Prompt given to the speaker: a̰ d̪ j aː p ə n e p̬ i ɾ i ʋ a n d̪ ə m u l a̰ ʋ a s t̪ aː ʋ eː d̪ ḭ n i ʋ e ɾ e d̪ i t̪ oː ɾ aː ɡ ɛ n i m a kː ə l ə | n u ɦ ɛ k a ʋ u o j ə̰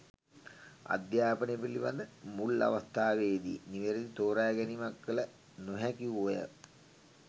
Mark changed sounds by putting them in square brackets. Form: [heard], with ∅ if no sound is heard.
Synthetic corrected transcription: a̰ d̪ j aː p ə n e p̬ i [l] i ʋ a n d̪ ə m u l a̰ ʋ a s t̪ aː ʋ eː d̪ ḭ n i ʋ e ɾ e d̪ i t̪ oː ɾ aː ɡ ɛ n i m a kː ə l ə | n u ɦ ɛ k [i] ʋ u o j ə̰